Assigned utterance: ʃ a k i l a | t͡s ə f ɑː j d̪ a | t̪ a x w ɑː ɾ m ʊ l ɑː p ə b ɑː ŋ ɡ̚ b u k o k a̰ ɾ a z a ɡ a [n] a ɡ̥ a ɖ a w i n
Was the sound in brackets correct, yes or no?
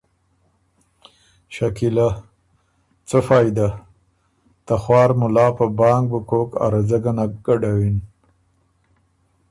yes